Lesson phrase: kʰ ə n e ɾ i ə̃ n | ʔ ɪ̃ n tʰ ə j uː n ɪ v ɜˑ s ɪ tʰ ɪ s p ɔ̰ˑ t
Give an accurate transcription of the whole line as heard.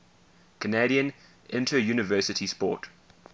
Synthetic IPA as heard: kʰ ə n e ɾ i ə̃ n | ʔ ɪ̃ n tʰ ə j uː n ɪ v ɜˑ s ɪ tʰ i s p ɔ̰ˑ t